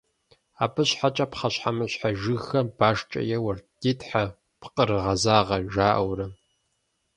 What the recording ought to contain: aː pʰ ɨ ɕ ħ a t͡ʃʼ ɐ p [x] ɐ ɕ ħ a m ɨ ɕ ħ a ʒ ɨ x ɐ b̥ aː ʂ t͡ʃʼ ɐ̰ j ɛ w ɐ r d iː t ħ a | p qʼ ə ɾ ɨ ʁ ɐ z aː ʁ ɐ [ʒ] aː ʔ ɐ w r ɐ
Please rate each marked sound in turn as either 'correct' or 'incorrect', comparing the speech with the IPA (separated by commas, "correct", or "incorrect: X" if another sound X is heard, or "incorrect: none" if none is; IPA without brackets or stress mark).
incorrect: χ, correct